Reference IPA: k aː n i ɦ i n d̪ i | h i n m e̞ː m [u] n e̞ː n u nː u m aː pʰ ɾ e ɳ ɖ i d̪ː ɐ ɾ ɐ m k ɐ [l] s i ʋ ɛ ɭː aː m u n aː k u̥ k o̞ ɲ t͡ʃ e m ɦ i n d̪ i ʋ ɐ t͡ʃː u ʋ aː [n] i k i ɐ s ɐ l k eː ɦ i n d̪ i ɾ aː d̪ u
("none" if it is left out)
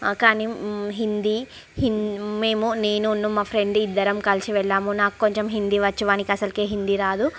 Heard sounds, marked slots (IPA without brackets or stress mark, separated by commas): u, l, n